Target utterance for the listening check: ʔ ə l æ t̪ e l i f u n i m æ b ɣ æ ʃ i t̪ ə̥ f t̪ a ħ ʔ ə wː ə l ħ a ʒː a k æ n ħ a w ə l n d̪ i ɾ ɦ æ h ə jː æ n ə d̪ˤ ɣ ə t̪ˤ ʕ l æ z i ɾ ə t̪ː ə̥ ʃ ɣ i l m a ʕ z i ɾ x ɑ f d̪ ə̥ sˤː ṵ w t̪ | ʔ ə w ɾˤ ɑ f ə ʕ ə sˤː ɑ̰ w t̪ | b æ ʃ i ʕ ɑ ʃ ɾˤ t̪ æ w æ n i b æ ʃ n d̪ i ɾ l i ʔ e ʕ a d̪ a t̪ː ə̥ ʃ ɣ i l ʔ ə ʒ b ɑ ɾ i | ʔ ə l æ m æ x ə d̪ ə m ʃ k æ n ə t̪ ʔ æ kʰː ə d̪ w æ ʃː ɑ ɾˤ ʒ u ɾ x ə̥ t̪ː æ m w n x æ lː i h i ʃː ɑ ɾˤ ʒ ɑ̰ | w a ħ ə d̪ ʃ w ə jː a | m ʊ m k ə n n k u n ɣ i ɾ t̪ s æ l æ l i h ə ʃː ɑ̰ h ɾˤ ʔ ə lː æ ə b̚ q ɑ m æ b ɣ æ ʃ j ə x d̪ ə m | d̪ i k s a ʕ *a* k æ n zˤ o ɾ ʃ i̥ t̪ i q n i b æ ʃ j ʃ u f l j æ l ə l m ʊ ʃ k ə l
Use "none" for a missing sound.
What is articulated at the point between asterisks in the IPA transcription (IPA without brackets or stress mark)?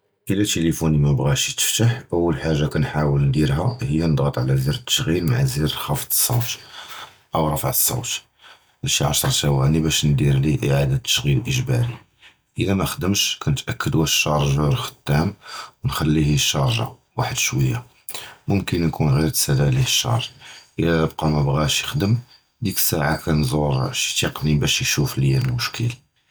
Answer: a